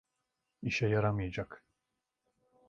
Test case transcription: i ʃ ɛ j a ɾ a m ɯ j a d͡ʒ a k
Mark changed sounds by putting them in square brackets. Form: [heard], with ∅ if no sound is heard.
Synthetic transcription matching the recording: i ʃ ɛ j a ɾ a m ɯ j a d͡ʒ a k